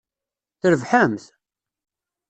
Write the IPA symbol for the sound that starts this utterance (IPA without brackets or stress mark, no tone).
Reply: θ